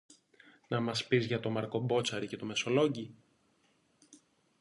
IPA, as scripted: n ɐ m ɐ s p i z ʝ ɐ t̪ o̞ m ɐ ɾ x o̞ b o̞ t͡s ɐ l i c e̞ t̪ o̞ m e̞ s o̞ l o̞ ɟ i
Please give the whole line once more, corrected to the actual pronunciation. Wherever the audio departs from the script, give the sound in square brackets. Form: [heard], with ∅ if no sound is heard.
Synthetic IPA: n ɐ m ɐ s p i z ʝ ɐ t̪ o̞ m ɐ ɾ [k] o̞ b o̞ t͡s ɐ [ɾ] i c e̞ t̪ o̞ m e̞ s o̞ l o̞ ɟ i